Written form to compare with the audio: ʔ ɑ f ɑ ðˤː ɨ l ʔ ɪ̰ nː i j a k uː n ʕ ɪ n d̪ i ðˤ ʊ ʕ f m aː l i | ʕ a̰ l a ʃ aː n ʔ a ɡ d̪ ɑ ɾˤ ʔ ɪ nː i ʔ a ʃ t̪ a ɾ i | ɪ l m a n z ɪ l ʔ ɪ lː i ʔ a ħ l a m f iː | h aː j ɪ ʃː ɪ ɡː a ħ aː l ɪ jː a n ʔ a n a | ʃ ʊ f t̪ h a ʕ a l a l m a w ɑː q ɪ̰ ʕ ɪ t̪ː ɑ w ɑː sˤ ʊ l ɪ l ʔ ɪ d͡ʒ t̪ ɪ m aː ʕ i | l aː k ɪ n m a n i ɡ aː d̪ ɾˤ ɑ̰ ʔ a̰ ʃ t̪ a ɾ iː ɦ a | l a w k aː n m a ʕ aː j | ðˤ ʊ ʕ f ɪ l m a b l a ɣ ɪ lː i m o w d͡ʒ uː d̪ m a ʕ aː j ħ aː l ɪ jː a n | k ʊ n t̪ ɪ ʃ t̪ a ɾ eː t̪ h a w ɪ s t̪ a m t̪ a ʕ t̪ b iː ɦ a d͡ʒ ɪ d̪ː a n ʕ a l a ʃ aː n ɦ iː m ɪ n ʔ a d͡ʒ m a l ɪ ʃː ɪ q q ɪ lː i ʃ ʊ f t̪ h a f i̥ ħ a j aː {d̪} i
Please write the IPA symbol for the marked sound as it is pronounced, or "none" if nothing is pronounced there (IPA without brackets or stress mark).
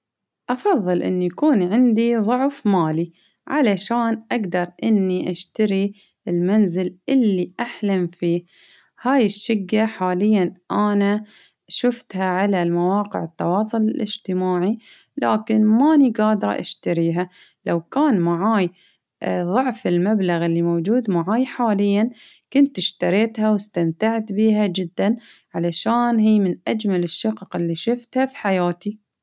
t̪